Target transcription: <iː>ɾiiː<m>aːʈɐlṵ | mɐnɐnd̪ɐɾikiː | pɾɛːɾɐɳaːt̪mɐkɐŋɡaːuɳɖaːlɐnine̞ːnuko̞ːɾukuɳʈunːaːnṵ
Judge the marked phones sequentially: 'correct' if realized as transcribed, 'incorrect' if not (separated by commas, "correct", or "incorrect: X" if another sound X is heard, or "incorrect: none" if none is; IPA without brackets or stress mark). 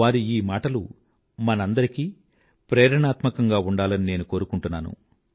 incorrect: aː, correct